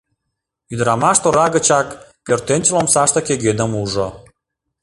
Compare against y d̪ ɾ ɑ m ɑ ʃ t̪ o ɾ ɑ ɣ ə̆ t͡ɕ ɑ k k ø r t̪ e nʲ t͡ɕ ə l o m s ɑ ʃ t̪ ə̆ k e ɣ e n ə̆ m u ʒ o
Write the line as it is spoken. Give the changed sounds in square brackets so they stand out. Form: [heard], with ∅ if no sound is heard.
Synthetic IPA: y d̪ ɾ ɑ m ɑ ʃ t̪ o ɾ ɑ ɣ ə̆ t͡ɕ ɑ k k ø r t̪ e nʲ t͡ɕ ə l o m s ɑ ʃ t̪ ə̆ k e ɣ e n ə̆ m u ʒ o